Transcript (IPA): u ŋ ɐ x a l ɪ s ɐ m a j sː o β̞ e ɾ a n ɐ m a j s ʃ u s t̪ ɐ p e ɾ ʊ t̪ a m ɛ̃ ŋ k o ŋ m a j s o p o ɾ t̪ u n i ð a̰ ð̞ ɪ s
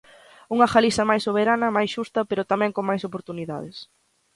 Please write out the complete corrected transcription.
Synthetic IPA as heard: u ŋ ɐ x a l i s ɐ m a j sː o β̞ e ɾ a n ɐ m a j s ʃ u s t̪ ɐ p e ɾ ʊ t̪ a m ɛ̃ ŋ k o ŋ m a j s o p o ɾ t̪ u n i ð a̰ ð̞ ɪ s